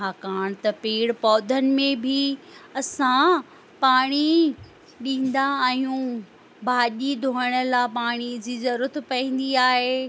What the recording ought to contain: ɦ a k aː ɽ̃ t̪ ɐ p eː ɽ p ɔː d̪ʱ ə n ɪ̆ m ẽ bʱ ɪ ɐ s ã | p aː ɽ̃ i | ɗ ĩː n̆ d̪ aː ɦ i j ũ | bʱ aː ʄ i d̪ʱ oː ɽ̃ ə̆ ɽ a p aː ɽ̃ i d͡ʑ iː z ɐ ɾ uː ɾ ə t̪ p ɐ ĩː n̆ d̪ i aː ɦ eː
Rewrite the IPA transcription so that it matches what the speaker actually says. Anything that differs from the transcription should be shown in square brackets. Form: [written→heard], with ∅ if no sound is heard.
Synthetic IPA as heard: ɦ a k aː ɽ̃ t̪ ɐ p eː ɽ p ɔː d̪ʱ ə n ɪ̆ m ẽ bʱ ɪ ɐ s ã | p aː ɽ̃ i | ɗ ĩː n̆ d̪ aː ɦ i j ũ | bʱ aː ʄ i d̪ʱ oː ɽ̃ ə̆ [ɽ→l] a p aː ɽ̃ i d͡ʑ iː z ɐ ɾ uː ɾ ə t̪ p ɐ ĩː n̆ d̪ i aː ɦ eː

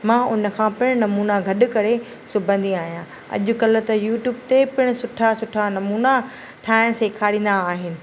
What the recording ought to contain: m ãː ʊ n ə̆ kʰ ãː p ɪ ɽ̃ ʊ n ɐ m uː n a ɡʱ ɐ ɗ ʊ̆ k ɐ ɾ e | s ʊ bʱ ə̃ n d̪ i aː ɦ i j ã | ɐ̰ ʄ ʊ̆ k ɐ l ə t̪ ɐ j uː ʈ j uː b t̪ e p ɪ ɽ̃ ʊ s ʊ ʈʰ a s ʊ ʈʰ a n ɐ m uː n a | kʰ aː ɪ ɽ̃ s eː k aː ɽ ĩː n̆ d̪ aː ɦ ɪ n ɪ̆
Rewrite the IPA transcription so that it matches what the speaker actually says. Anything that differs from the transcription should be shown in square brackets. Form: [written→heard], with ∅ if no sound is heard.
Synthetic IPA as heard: m ãː ʊ n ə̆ kʰ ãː p ɪ ɽ̃ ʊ n ɐ m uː n a ɡʱ ɐ ɗ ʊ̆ k ɐ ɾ e | s ʊ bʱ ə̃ n d̪ i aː ɦ i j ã | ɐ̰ ʄ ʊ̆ k ɐ l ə t̪ ɐ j uː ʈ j uː b t̪ e p ɪ ɽ̃ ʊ s ʊ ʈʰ a s ʊ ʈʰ a n ɐ m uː n a | [kʰ→ʈʰ] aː ɪ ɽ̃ s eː [k→kʰ] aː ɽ ĩː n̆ d̪ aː ɦ ɪ n ɪ̆

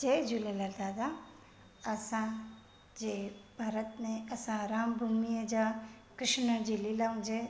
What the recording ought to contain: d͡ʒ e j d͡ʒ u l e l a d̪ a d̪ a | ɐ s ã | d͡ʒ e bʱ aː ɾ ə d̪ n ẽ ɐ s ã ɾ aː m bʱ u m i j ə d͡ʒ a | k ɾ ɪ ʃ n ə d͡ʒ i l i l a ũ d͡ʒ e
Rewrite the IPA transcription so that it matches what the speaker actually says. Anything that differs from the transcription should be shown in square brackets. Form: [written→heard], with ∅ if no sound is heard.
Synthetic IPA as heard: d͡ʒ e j d͡ʒ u l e l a d̪ a d̪ a | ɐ s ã | d͡ʒ e bʱ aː ɾ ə [d̪→t̪] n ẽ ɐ s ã ɾ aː m bʱ u m i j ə d͡ʒ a | k ɾ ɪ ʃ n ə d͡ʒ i l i l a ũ d͡ʒ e

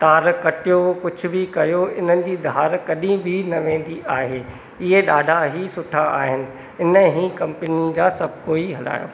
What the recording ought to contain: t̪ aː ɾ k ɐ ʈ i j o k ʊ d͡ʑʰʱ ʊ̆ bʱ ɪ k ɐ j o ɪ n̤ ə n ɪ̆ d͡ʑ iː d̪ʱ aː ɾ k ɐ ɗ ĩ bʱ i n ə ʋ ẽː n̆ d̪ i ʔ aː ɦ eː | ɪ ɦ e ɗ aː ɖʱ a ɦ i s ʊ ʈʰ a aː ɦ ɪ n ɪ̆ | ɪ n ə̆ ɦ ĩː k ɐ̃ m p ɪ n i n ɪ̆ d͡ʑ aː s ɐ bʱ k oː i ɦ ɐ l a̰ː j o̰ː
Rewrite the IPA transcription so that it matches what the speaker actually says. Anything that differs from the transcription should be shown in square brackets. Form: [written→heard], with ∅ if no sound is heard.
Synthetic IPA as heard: t̪ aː ɾ k ɐ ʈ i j o k ʊ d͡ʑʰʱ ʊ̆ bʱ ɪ k ɐ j o ɪ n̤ ə n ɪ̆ d͡ʑ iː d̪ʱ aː ɾ k ɐ ɗ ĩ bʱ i n [ə→ɐ] ʋ ẽː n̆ d̪ i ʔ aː ɦ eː | ɪ ɦ e ɗ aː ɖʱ a ɦ i s ʊ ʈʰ a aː ɦ ɪ n ɪ̆ | ɪ n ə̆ ɦ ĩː k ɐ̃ m p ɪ n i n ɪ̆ d͡ʑ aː s ɐ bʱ k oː i ɦ ɐ l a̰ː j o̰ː

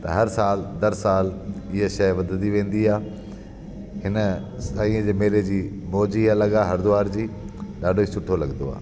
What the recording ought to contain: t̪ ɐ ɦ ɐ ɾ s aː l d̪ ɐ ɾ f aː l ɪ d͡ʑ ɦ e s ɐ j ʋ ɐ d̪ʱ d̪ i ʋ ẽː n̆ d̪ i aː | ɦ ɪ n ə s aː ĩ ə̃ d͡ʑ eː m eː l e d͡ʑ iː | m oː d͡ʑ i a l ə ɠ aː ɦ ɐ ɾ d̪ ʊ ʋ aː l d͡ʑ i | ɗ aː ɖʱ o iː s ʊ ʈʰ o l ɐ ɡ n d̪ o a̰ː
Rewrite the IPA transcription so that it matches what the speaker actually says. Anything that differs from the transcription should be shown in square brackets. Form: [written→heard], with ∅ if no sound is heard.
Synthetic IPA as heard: t̪ ɐ ɦ ɐ ɾ s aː l d̪ ɐ ɾ [f→s] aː l ɪ [d͡ʑ→∅] ɦ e [s→ʃ] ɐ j ʋ ɐ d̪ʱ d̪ i ʋ ẽː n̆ d̪ i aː | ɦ ɪ n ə s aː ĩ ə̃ d͡ʑ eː m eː l e d͡ʑ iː | m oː d͡ʑ i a l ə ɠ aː ɦ ɐ ɾ d̪ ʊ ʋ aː [l→ɾ] d͡ʑ [i→iː] | ɗ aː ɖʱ o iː s ʊ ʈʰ o l ɐ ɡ n d̪ o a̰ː

